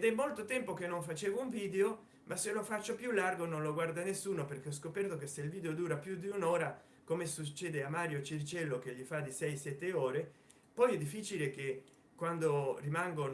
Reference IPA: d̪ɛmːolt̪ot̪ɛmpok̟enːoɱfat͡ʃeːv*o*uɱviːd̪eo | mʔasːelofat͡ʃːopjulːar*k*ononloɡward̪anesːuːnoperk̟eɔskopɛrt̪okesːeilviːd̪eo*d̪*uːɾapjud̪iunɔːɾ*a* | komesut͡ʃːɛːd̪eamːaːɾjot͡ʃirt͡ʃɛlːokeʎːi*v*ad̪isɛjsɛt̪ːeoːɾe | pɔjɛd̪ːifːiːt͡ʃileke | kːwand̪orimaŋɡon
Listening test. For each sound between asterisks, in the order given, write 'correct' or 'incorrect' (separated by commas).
correct, incorrect, correct, correct, incorrect